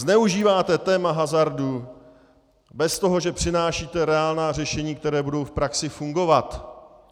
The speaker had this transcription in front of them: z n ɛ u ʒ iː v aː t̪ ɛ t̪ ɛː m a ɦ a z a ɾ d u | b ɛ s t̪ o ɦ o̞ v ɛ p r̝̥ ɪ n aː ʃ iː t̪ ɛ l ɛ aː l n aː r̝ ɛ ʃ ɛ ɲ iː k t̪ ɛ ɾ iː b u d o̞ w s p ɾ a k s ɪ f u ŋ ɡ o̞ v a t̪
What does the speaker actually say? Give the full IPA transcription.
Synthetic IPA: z n ɛ u ʒ iː v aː t̪ ɛ t̪ ɛː m a ɦ a z a ɾ d u | b ɛ s t̪ o ɦ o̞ ʒ ɛ p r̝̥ ɪ n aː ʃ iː t̪ ɛ ɾ ɛ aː l n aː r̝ ɛ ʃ ɛ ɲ iː k t̪ ɛ ɾ ɛː b u d o̞ w f p ɾ a k s ɪ f u ŋ ɡ o̞ v a t̪